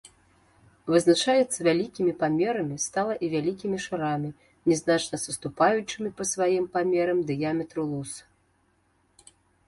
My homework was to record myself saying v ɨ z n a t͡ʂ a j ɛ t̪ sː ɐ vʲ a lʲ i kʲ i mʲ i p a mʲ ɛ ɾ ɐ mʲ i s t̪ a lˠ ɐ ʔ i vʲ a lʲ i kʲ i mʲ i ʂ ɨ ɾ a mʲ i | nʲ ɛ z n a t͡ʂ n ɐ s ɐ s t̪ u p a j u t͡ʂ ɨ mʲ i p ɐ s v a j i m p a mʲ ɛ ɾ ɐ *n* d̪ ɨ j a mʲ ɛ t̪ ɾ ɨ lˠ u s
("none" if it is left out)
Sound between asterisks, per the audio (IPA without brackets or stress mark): m